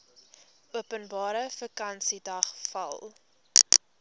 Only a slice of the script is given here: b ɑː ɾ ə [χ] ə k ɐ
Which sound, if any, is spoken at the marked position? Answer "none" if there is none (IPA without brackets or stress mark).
f